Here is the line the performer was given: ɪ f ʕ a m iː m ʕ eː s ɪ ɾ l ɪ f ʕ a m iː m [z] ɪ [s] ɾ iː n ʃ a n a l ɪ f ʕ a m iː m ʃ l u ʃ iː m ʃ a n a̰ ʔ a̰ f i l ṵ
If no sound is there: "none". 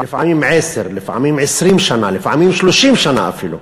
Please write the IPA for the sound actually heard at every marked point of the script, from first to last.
ʕ, s

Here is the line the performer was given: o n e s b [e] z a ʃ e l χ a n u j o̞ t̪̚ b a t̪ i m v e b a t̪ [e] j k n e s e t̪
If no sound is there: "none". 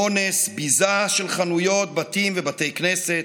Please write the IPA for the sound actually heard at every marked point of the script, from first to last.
i, e

